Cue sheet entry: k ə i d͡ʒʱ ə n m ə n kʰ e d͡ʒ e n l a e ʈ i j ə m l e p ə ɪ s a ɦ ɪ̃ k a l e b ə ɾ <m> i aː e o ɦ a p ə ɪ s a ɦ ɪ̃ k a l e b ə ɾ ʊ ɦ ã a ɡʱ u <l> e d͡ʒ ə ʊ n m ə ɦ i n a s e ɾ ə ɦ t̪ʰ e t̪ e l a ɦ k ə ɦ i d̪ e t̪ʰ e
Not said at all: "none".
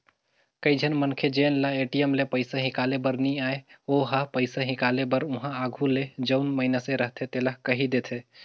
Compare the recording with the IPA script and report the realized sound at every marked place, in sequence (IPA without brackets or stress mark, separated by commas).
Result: n, l